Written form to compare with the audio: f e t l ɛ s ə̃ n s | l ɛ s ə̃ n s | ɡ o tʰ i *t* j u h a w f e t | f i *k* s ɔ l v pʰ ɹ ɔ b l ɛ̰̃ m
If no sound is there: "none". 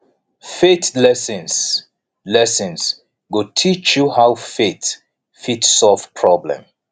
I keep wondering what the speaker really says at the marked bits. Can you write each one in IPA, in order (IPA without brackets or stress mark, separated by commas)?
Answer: t͡ʃ, t